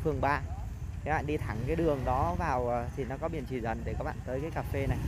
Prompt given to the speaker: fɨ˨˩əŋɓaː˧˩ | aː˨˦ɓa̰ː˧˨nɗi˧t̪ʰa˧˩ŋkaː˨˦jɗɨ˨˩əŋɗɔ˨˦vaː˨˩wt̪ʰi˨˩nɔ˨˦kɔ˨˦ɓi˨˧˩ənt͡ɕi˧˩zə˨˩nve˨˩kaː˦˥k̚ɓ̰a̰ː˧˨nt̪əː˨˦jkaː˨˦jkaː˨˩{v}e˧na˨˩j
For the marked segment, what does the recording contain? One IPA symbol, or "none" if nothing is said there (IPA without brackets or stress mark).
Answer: f